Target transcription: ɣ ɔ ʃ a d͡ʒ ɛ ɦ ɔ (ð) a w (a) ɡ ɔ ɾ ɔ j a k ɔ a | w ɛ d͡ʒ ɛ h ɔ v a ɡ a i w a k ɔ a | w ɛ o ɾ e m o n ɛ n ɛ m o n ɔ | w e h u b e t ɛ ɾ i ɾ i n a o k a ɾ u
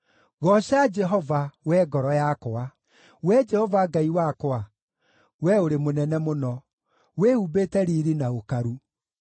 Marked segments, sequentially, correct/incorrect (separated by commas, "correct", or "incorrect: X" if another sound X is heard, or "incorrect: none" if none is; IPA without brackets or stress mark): incorrect: v, incorrect: ɛ